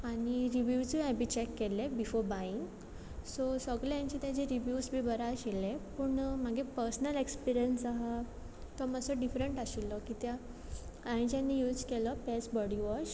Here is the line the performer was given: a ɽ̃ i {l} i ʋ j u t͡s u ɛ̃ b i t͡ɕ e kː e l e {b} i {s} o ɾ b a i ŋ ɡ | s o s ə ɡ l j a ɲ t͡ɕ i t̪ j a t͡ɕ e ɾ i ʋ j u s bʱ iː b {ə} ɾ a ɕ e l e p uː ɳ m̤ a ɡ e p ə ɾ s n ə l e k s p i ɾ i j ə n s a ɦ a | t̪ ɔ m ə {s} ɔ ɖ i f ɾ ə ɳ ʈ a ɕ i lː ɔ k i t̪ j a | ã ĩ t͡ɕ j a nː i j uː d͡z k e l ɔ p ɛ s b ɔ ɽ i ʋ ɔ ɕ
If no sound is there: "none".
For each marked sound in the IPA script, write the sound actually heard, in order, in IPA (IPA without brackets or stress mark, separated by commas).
ɾ, b, f, ə, s